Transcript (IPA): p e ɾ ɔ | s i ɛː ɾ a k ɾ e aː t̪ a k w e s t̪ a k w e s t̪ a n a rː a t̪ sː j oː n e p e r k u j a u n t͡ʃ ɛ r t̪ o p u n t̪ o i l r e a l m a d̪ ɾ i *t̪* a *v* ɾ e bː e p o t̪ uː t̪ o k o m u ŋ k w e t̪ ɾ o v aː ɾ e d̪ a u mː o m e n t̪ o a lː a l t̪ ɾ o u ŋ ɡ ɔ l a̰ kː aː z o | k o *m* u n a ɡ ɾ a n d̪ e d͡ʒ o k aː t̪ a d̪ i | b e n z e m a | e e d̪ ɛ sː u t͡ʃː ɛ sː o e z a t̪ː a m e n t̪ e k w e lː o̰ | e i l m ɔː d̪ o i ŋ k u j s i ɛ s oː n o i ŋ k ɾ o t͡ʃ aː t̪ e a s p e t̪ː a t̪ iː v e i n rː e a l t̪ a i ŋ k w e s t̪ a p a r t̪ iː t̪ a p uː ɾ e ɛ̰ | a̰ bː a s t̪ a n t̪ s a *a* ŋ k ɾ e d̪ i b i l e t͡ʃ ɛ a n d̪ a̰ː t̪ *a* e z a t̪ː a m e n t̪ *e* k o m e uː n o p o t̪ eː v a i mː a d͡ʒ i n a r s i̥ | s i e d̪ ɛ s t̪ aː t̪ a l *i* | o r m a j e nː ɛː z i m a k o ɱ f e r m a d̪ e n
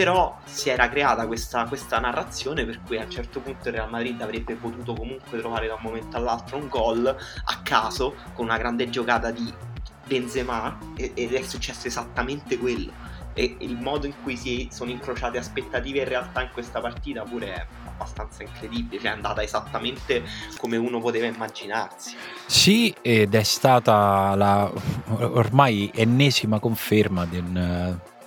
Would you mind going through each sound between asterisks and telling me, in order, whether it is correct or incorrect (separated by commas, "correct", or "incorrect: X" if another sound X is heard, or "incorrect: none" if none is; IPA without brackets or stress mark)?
incorrect: d̪, correct, incorrect: n, incorrect: i, correct, correct, incorrect: a